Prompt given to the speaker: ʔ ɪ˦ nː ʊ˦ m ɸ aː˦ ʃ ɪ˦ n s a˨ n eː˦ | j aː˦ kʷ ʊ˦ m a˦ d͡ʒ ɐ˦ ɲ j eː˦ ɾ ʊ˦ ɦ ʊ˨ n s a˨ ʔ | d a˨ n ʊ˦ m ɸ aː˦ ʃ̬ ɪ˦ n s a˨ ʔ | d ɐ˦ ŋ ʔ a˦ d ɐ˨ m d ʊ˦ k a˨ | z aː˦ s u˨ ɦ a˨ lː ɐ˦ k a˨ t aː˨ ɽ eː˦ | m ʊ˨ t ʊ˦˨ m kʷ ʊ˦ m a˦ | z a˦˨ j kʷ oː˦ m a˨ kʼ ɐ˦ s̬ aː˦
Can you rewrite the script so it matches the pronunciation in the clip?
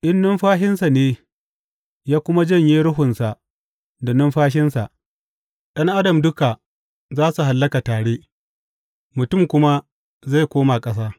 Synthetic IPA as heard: ʔ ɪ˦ nː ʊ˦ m ɸ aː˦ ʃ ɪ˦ n s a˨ n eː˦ | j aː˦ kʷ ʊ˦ m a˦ d͡ʒ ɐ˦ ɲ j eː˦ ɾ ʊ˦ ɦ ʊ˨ n s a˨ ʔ | d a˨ n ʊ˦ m ɸ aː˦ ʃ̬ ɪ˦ n s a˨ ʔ | ɗ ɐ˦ ŋ ʔ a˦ d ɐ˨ m d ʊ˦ k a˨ | z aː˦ s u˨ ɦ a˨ lː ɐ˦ k a˨ t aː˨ ɽ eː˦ | m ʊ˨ t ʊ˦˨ m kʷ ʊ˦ m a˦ | z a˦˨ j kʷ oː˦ m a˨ kʼ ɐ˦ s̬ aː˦